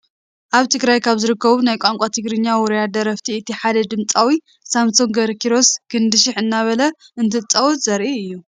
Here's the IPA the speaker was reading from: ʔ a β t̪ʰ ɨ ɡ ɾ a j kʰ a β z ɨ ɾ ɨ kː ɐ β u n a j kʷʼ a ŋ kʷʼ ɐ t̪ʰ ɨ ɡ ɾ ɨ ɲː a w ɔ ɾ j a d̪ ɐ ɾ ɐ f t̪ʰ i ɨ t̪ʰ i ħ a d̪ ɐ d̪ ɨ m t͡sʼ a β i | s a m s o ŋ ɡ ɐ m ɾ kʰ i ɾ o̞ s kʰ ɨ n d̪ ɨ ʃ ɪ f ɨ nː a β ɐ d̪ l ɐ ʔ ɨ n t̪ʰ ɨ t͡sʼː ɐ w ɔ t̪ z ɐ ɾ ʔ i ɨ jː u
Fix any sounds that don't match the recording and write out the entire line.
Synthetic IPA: ʔ a β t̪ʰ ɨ ɡ ɾ a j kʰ a β z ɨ ɾ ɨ kː ɐ β u n a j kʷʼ a ŋ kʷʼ a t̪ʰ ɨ ɡ ɾ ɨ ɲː a w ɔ ɾ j a d̪ ɐ ɾ ɐ f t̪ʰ i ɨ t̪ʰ i ħ a d̪ ɐ d̪ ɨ m t͡sʼ a w i | s a m s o ŋ ɡ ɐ ɾ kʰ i ɾ o̞ s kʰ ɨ n d̪ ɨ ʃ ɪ ħ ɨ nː a β ɐ l ɐ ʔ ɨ n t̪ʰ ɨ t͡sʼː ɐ w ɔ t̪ z ɐ ɾ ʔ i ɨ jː u